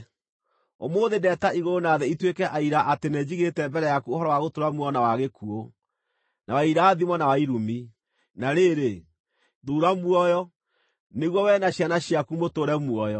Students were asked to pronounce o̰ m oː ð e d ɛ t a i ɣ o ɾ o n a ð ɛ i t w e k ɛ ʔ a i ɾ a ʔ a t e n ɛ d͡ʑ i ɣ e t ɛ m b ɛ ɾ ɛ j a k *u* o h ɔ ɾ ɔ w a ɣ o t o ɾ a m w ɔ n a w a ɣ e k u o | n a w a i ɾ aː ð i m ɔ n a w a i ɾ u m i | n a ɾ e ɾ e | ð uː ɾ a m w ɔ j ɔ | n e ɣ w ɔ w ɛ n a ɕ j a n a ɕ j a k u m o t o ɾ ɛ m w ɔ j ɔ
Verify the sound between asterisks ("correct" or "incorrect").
correct